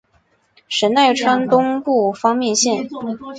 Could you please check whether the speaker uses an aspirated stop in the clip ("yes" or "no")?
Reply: yes